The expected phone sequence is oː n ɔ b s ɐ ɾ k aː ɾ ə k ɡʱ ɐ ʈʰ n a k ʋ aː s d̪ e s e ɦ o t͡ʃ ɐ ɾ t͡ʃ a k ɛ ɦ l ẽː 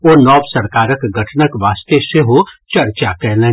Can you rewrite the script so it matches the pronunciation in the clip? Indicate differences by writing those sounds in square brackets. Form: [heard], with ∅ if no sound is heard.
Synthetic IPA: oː n [ɔː] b s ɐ ɾ k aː ɾ ə k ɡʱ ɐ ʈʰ n [ə] k ʋ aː s [t̪] e s e ɦ o t͡ʃ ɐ ɾ t͡ʃ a k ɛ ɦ l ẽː